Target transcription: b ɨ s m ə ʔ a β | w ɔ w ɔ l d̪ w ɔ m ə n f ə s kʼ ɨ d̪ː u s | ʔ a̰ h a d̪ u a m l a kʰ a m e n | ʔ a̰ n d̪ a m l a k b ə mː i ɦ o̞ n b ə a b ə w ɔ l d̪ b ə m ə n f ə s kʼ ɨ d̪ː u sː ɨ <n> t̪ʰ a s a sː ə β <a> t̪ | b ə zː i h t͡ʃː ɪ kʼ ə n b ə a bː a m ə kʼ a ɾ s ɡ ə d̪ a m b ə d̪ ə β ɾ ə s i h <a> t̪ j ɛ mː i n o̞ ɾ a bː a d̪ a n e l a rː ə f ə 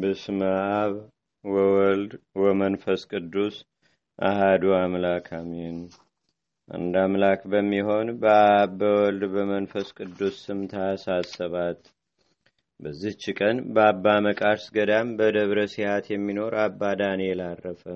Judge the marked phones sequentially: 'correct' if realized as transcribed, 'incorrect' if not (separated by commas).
incorrect, correct, correct